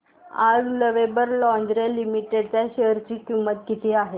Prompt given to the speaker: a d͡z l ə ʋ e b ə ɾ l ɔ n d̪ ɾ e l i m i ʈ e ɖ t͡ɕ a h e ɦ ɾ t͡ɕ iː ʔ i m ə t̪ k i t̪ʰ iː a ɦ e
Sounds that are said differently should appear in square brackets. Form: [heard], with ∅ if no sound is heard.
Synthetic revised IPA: a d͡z l ə ʋ e b ə ɾ l ɔ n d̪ ɾ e l i m i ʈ e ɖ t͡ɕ a [ɕ] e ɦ ɾ t͡ɕ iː [k] i m ə t̪ k i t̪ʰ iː a ɦ e